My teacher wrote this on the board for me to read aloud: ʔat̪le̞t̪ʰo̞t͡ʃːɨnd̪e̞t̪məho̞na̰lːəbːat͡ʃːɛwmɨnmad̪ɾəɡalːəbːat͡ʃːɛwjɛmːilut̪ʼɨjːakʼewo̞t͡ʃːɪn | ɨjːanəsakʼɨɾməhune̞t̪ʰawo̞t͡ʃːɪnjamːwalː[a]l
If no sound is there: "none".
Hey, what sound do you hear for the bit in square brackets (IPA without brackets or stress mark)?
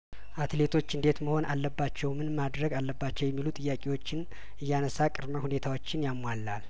a